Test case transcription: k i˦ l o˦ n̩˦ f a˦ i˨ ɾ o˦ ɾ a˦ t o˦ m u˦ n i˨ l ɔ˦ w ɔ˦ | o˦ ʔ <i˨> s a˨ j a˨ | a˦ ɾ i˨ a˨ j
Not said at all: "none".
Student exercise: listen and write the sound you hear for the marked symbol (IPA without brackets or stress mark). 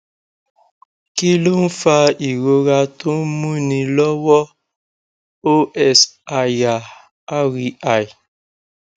ɛ˨